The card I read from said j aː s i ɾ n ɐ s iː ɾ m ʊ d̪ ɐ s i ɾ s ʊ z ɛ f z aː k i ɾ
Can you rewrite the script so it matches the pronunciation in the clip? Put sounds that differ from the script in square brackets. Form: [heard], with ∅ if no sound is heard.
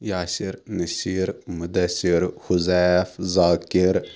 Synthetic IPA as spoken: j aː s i ɾ n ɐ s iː ɾ m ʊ d̪ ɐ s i ɾ [h] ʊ z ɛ f z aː k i ɾ